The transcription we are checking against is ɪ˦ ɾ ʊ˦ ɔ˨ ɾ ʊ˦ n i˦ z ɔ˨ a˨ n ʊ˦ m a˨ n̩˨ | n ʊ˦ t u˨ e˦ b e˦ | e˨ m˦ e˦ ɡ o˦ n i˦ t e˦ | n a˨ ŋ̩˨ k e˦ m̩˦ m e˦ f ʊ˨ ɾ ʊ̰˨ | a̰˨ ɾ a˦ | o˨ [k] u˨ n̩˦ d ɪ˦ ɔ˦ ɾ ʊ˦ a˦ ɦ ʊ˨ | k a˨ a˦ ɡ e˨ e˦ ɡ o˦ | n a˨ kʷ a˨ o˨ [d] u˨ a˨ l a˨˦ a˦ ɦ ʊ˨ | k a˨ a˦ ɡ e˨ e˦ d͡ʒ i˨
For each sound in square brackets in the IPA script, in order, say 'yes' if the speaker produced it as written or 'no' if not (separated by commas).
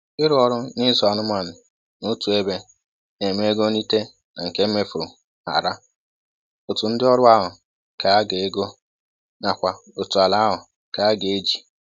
no, no